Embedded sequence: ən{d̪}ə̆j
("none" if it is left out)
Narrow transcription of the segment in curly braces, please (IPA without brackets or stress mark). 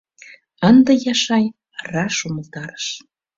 d̪